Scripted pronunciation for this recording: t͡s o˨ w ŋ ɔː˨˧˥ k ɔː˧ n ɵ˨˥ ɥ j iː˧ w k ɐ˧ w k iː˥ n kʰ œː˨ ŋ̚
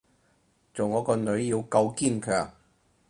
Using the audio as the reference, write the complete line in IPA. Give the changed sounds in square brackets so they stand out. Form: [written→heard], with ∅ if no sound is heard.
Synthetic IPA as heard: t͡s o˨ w ŋ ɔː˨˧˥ k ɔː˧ n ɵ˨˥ ɥ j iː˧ w k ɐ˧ w k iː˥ n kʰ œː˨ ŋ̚